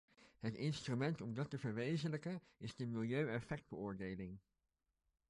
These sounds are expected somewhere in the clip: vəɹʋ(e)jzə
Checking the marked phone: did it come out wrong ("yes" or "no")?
no